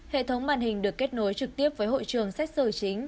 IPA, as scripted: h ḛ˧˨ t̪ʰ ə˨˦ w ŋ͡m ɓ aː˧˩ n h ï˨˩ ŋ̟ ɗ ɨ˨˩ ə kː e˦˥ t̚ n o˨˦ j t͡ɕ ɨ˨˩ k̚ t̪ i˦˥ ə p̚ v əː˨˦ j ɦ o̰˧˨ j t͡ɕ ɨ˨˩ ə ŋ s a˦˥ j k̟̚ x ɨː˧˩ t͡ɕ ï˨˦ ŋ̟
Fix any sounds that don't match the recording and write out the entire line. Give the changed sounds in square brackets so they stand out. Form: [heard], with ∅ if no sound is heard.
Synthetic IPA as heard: h ḛ˧˨ t̪ʰ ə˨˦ w ŋ͡m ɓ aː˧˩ n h ï˨˩ ŋ̟ ɗ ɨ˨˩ ə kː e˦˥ t̚ n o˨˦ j t͡ɕ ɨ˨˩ k̚ t̪ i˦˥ ə p̚ v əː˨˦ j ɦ o̰˧˨ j t͡ɕ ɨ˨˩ ə ŋ s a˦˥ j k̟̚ [s] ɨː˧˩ t͡ɕ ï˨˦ ŋ̟